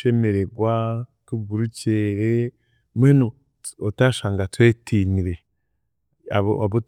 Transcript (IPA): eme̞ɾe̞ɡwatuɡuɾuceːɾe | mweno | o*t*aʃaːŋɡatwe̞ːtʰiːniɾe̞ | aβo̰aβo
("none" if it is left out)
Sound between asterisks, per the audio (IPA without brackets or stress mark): t